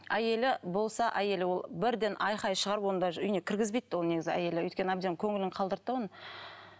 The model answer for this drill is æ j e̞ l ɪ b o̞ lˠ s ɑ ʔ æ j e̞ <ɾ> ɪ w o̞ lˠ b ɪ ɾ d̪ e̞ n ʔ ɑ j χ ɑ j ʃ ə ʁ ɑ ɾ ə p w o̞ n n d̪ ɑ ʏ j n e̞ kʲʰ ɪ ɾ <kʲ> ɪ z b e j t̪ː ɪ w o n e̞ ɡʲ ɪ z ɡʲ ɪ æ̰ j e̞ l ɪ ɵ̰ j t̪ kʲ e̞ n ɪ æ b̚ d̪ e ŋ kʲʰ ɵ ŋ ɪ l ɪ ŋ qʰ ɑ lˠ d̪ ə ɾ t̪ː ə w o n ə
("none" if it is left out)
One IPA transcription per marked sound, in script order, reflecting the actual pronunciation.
l, ɡʲ

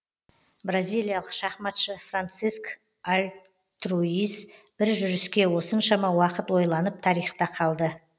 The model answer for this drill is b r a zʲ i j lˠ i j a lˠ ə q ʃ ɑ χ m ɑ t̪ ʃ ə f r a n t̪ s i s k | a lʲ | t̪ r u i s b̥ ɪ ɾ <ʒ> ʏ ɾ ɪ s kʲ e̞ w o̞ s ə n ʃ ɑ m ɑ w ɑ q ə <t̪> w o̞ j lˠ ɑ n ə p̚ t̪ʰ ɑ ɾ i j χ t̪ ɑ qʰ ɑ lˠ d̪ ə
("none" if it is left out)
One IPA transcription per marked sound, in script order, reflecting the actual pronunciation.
ʒ, t̪

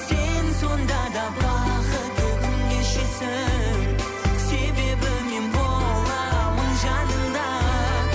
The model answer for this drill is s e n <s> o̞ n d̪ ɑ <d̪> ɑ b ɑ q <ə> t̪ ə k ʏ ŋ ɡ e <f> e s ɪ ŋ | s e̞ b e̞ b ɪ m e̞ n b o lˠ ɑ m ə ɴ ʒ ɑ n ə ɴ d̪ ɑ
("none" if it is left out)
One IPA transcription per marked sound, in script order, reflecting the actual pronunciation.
s, d̪, ə, ʃ

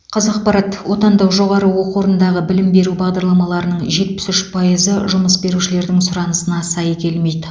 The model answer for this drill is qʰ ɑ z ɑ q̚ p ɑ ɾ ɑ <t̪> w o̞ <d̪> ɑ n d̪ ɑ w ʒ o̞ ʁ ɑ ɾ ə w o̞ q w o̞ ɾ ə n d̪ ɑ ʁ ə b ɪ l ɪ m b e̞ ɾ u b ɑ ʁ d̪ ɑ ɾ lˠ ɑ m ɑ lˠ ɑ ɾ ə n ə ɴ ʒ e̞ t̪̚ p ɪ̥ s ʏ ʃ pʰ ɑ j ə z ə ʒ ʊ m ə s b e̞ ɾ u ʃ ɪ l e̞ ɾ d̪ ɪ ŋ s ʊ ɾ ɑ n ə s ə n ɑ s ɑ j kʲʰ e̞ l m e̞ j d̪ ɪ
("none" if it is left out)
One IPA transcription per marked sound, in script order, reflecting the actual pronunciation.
t̪, t̪

